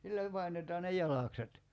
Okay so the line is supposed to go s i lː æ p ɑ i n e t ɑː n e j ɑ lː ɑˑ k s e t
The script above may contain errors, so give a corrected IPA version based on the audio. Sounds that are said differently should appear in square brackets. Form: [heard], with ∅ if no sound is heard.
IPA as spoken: s i lː æ p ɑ i n e t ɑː n e j ɑ [l] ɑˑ k s e t